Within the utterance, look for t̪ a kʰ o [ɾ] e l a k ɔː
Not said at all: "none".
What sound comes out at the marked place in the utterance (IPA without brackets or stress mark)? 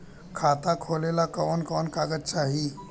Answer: l